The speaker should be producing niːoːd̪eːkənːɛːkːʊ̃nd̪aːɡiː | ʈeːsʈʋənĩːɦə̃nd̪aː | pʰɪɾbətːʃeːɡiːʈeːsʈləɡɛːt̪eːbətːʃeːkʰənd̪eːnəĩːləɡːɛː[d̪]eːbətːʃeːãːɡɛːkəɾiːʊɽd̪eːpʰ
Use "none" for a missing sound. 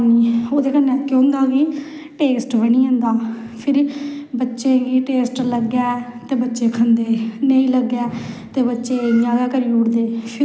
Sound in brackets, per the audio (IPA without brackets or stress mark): t̪